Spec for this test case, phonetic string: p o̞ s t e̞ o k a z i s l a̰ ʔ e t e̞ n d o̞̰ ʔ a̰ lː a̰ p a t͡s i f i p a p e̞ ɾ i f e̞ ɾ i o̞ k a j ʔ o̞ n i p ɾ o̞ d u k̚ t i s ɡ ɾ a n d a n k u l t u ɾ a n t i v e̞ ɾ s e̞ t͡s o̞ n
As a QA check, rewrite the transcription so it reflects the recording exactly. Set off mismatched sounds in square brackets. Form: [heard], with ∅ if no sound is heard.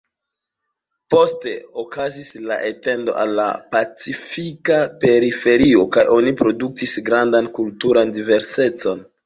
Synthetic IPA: p o̞ s t e̞ o k a z i s l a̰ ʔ e t e̞ n d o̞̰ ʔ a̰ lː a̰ p a t͡s i f i [k] a p e̞ ɾ i f e̞ ɾ i o̞ k a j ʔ o̞ n i p ɾ o̞ d u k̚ t i s ɡ ɾ a n d a n k u l t u ɾ a n [d] i v e̞ ɾ s e̞ t͡s o̞ n

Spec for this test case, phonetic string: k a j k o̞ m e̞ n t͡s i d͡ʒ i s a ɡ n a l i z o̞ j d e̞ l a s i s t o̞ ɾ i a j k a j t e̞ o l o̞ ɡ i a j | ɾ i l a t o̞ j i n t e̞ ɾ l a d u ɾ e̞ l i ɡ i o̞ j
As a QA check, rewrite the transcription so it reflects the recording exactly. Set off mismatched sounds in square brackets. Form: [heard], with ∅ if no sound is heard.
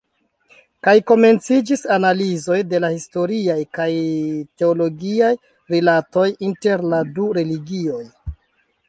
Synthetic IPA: k a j k o̞ m e̞ n t͡s i d͡ʒ i s a [∅] n a l i z o̞ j d e̞ l a [h] i s t o̞ ɾ i a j k a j t e̞ o l o̞ ɡ i a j | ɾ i l a t o̞ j i n t e̞ ɾ l a d u ɾ e̞ l i ɡ i o̞ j

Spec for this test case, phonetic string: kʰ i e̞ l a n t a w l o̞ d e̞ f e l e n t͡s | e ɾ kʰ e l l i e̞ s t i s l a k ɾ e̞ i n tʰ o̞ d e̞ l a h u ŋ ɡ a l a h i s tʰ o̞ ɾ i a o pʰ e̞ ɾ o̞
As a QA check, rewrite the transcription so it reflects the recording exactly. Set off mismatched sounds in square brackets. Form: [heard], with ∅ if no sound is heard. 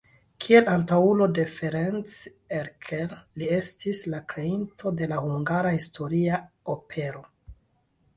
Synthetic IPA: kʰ i e̞ l a n t a [u] l o̞ d e̞ f e [ɾ] e n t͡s | e ɾ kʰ e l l i e̞ s t i s l a k ɾ e̞ i n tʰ o̞ d e̞ l a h u ŋ ɡ a [ɾ] a h i s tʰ o̞ ɾ i a o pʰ e̞ ɾ o̞

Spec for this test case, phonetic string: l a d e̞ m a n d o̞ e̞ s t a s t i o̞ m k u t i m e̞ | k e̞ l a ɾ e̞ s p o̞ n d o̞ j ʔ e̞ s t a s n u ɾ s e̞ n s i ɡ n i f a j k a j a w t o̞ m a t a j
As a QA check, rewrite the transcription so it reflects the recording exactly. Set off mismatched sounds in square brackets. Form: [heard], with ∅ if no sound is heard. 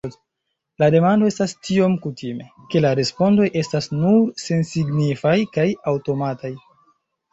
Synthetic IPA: l a d e̞ m a n d o̞ e̞ s t a s t i o̞ m k u t i m e̞ | k e̞ l a ɾ e̞ s p o̞ n d o̞ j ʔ e̞ s t a s n u ɾ s e̞ n s i ɡ n i f a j k a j a w t o̞ m a t a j

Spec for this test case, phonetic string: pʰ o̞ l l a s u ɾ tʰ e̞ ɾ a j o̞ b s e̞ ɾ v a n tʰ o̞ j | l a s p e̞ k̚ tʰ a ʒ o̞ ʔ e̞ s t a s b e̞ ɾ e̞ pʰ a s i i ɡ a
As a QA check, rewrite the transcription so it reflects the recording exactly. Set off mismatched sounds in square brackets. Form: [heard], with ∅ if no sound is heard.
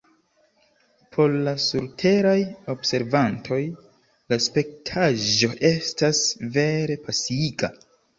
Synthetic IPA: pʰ o̞ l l a s u ɾ tʰ e̞ ɾ a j o̞ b s e̞ ɾ v a n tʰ o̞ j | l a s p e̞ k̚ tʰ a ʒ o̞ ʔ e̞ s t a s [v] e̞ ɾ e̞ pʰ a s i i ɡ a

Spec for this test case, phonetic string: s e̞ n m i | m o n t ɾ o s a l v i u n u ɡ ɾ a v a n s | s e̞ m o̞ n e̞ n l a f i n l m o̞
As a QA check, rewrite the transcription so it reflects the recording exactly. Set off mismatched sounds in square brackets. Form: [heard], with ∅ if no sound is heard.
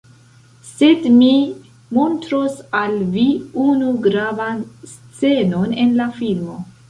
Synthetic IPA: s e̞ [d] m i | m o n t ɾ o s a l v i u n u ɡ ɾ a v a n s | [t͡s] e̞ [n] o̞ n e̞ n l a f i [∅] l m o̞

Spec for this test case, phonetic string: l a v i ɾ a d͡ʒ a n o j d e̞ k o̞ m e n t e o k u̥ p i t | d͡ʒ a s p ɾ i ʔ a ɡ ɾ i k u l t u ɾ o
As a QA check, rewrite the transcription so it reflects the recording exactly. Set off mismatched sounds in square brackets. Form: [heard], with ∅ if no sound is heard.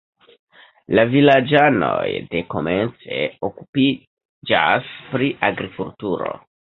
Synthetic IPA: l a v i [l] a d͡ʒ a n o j d e̞ k o̞ m e n [t͡s] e o k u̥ p i [∅] | d͡ʒ a s p ɾ i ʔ a ɡ ɾ i k u l t u ɾ o

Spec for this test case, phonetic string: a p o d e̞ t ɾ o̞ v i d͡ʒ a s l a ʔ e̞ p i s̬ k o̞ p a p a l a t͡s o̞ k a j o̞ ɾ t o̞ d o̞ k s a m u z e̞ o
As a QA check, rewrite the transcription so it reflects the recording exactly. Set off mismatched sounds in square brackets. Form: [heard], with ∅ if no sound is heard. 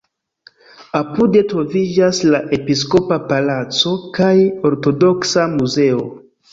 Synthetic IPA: a p [u] d e̞ t ɾ o̞ v i d͡ʒ a s l a ʔ e̞ p i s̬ k o̞ p a p a l a t͡s o̞ k a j o̞ ɾ t o̞ d o̞ k s a m u z e̞ o

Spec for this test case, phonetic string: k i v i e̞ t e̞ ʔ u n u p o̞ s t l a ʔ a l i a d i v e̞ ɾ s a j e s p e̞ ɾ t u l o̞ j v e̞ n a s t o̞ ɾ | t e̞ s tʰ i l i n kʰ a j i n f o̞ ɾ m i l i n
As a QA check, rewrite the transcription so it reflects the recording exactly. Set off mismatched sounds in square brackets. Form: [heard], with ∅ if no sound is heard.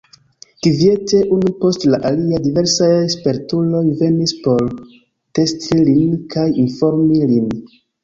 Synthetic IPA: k i v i e̞ t e̞ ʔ u n u p o̞ s t l a ʔ a l i a d i v e̞ ɾ s a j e s p e̞ ɾ t u l o̞ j v e̞ n [i] s [p] o̞ ɾ | t e̞ s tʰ i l i n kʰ a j i n f o̞ ɾ m i l i n

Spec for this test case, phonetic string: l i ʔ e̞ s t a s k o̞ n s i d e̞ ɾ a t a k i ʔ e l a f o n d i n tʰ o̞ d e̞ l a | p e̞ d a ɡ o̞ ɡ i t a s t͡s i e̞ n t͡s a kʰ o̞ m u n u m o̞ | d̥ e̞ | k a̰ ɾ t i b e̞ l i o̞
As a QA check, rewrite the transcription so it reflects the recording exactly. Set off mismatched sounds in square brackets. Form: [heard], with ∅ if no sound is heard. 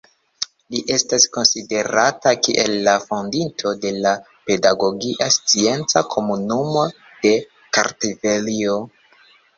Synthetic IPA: l i ʔ e̞ s t a s k o̞ n s i d e̞ ɾ a t a k i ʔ e [lː] a f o n d i n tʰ o̞ d e̞ l a | p e̞ d a ɡ o̞ ɡ i [ʔ] a s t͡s i e̞ n t͡s a kʰ o̞ m u n u m o̞ | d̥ e̞ | k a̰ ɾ t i [v] e̞ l i o̞

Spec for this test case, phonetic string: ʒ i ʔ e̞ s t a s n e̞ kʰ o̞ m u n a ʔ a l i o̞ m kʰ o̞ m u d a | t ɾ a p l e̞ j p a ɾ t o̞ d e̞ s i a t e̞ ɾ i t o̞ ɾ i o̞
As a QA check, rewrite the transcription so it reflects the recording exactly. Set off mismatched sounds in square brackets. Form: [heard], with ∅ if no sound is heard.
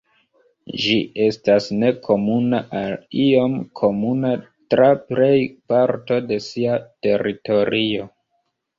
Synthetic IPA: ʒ i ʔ e̞ s t a s n e̞ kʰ o̞ m u n a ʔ a l i o̞ m kʰ o̞ m u [n] a | t ɾ a p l e̞ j p a ɾ t o̞ d e̞ s i a t e̞ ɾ i t o̞ ɾ i o̞

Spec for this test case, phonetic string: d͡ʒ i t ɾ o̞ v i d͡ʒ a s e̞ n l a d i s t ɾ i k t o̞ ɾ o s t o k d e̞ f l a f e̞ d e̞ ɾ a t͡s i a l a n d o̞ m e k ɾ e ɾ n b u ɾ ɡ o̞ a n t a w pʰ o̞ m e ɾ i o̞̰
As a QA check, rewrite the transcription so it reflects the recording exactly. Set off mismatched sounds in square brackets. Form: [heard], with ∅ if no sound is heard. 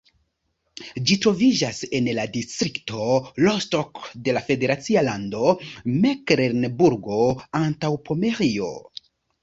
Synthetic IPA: d͡ʒ i t ɾ o̞ v i d͡ʒ a s e̞ n l a d i s t ɾ i k t o̞ [l] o s t o k d e̞ [∅] l a f e̞ d e̞ ɾ a t͡s i a l a n d o̞ m e k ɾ e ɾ n b u ɾ ɡ o̞ a n t a w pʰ o̞ m e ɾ i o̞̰

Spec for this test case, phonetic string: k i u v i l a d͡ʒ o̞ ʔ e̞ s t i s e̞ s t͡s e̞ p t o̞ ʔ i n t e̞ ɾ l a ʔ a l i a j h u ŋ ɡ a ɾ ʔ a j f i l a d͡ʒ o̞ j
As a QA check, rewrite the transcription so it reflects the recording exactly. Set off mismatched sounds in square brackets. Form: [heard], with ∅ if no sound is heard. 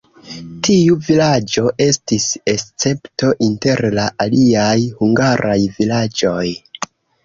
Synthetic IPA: [t] i u v i l a d͡ʒ o̞ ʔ e̞ s t i s e̞ s t͡s e̞ p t o̞ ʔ i n t e̞ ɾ l a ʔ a l i a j h u ŋ ɡ a ɾ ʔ a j [v] i l a d͡ʒ o̞ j

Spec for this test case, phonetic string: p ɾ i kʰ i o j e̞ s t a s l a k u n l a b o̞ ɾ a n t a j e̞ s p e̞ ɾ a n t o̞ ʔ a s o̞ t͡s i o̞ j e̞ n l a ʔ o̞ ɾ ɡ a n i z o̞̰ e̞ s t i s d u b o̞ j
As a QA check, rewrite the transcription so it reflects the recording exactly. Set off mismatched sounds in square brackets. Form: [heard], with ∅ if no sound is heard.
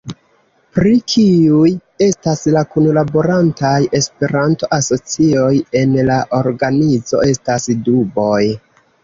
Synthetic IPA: p ɾ i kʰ i [u] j e̞ s t a s l a k u n l a b o̞ ɾ a n t a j e̞ s p e̞ ɾ a n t o̞ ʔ a s o̞ t͡s i o̞ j e̞ n l a ʔ o̞ ɾ ɡ a n i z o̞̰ e̞ s t [a] s d u b o̞ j

